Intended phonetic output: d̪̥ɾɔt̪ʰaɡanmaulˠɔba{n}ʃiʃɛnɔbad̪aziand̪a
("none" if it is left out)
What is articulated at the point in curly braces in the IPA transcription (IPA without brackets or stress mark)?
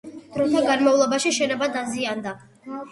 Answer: none